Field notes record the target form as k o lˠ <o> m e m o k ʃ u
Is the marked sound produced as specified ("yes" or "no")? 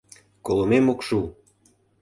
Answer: yes